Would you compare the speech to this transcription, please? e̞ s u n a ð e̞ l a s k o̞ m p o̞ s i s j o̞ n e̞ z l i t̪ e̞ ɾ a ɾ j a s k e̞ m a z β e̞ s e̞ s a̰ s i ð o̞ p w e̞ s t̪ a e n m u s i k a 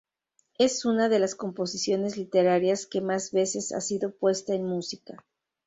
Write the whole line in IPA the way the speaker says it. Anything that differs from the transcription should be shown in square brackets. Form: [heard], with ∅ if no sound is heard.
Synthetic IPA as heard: e̞ s u n a ð e̞ l a s k o̞ m p o̞ s i s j o̞ n e̞ z l i t̪ e̞ ɾ a ɾ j a s k e̞ m a z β e̞ s e̞ s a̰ s i ð o̞ p w e̞ s t̪ a e n m u s i k a